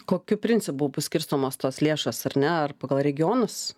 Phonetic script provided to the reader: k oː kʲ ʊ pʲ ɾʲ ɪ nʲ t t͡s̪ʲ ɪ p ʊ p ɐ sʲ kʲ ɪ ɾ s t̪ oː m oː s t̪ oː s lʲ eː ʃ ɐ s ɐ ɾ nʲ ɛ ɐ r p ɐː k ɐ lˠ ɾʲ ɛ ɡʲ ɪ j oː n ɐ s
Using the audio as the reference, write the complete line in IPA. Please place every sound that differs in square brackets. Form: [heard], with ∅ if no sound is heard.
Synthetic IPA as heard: k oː kʲ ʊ pʲ ɾʲ ɪ nʲ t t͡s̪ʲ ɪ p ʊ p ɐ sʲ kʲ ɪ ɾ s t̪ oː m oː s t̪ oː s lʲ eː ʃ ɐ s ɐ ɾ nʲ ɛ ɐ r p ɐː [ɡ] ɐ lˠ ɾʲ ɛ ɡʲ ɪ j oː n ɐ s